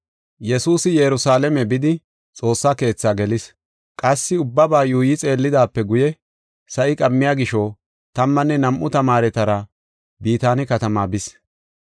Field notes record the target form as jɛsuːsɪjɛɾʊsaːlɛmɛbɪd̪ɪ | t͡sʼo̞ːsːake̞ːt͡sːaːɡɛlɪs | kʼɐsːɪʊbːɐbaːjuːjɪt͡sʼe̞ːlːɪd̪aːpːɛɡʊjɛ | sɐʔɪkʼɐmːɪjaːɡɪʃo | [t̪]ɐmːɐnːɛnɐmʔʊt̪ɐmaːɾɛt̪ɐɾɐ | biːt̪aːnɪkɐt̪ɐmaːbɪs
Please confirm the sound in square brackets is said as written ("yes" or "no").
yes